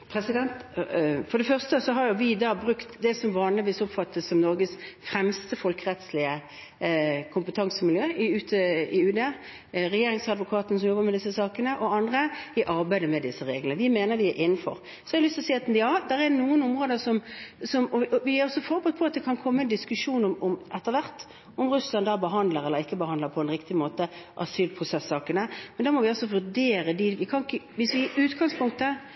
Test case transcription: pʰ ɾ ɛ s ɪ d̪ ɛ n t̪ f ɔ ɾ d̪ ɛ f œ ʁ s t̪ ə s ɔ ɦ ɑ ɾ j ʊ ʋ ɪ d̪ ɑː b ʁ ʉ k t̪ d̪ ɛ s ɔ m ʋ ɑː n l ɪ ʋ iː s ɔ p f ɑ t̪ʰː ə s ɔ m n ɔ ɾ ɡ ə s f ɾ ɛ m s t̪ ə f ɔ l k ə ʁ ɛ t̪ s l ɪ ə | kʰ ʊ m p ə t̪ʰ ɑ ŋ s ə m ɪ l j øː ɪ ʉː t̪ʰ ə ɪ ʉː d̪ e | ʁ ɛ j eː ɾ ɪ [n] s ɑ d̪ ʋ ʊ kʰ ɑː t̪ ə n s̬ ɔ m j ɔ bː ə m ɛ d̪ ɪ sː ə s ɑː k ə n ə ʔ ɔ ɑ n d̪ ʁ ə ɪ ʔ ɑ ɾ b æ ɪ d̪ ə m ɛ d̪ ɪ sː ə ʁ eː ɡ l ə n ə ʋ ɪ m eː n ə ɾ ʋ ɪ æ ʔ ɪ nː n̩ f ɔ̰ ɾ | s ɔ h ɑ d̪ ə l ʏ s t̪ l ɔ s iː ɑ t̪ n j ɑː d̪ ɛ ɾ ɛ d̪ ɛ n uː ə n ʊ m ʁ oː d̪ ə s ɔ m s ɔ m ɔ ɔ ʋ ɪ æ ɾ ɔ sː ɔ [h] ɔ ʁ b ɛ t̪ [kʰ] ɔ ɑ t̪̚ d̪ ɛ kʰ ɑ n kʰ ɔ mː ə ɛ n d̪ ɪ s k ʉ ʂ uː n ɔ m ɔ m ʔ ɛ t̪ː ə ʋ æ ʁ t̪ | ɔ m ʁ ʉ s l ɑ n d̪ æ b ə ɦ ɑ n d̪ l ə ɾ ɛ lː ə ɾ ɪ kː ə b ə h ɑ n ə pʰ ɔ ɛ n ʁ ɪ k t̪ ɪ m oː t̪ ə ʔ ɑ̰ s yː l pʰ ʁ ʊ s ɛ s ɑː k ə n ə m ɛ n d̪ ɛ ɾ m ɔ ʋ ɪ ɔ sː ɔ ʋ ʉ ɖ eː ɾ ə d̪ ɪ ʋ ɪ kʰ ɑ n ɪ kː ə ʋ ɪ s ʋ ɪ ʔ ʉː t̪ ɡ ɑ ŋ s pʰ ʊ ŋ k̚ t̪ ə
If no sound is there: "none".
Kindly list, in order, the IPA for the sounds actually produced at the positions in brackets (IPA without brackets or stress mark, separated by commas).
ŋ, f, pʰ